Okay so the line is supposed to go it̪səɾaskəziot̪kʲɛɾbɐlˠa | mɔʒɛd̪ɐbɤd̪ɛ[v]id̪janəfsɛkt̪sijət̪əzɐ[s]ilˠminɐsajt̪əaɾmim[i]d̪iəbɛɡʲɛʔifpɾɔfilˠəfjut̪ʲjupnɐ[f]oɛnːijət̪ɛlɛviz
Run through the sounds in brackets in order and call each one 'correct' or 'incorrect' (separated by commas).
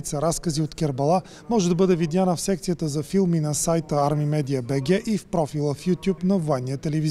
correct, incorrect, incorrect, incorrect